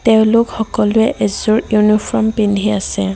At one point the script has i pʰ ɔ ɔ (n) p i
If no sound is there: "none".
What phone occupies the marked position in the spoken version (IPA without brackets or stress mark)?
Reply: m